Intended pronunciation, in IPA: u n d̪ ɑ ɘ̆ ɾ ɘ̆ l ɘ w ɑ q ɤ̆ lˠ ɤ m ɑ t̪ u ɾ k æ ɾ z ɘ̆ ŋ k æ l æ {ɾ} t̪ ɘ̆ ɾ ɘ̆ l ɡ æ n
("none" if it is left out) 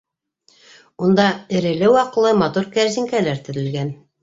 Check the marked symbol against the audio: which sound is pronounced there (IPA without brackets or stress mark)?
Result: ɾ